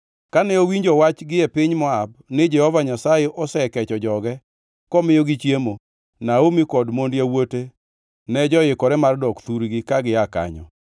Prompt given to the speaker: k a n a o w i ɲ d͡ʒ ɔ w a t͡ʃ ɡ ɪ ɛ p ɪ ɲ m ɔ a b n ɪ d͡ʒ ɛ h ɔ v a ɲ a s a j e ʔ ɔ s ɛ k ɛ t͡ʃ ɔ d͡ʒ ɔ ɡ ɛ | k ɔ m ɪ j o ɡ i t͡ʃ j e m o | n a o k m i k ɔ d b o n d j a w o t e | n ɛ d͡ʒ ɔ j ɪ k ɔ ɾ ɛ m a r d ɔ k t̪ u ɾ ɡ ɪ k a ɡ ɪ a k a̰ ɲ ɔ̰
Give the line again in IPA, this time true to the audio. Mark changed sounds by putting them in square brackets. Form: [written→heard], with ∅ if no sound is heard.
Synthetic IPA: k a n [a→ɛ] o w i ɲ d͡ʒ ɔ w a t͡ʃ ɡ ɪ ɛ p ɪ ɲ m ɔ a b n ɪ d͡ʒ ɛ h ɔ v a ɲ a s a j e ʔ ɔ s ɛ k ɛ t͡ʃ ɔ d͡ʒ ɔ ɡ ɛ | k ɔ m ɪ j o ɡ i t͡ʃ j e m o | n a o [k→∅] m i k ɔ d [b→m] o n d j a w o t e | n ɛ d͡ʒ ɔ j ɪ k ɔ ɾ ɛ m a r d ɔ k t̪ u ɾ ɡ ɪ k a ɡ ɪ a k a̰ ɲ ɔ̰